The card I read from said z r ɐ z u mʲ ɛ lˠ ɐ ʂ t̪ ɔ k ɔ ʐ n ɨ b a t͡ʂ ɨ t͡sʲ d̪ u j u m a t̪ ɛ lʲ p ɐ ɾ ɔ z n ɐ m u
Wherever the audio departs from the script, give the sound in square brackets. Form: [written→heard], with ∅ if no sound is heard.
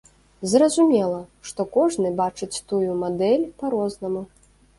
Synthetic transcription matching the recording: z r ɐ z u mʲ ɛ lˠ ɐ ʂ t̪ ɔ k ɔ ʐ n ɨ b a t͡ʂ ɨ t͡sʲ [d̪→t̪] u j u m a [t̪→d̪] ɛ lʲ p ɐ ɾ ɔ z n ɐ m u